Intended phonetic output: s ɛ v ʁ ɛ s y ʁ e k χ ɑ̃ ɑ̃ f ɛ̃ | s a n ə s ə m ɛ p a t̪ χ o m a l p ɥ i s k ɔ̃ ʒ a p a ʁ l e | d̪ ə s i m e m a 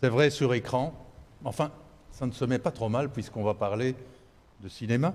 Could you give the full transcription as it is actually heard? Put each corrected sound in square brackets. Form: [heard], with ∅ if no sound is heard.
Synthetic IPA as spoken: s ɛ v ʁ ɛ s y ʁ e k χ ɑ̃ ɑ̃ f ɛ̃ | s a n ə s ə m ɛ p a t̪ χ o m a l p ɥ i s k ɔ̃ [v] a p a ʁ l e | d̪ ə s i [n] e m a